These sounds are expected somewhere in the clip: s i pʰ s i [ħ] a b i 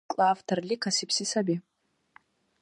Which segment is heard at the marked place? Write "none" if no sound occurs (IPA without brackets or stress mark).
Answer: s